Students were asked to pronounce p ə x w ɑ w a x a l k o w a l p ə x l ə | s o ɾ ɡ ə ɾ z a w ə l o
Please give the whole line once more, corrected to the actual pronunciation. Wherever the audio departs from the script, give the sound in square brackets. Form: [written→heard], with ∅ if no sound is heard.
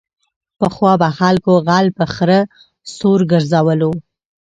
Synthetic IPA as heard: p ə x w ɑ [w→b] a x a l k o [w→ɣ] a l p ə x [l→ɾ] ə | s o ɾ ɡ ə ɾ z a w ə l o